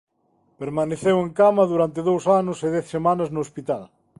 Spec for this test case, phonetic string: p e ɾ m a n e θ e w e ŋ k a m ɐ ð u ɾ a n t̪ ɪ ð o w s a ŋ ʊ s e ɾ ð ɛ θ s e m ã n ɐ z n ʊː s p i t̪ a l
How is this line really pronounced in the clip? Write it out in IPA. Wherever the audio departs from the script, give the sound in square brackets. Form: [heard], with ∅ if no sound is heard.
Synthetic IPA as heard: p e ɾ m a n e θ e w e ŋ k a m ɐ ð u ɾ a n t̪ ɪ ð o w s a [n] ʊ s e [∅] ð ɛ θ s e m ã n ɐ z n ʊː s p i t̪ a l